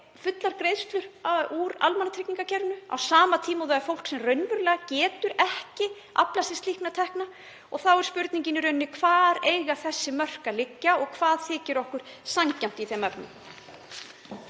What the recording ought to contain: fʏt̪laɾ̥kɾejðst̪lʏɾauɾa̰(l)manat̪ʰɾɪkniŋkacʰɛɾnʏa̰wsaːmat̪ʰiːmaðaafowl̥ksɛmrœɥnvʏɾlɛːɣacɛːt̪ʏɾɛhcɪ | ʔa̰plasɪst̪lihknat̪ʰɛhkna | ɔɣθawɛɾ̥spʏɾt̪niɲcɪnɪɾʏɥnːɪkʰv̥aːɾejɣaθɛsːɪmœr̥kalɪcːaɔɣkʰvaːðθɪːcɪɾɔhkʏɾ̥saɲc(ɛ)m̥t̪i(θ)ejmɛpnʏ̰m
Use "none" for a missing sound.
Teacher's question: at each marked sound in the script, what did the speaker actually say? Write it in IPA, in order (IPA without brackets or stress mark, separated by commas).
l, a, θ